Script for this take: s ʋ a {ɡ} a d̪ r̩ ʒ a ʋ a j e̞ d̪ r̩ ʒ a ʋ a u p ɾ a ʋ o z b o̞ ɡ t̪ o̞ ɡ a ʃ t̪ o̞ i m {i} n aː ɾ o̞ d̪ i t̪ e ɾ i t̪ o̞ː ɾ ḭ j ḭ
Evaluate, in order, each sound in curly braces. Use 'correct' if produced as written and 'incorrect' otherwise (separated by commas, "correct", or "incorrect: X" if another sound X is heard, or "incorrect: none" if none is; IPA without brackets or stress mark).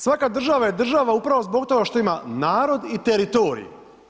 incorrect: k, incorrect: a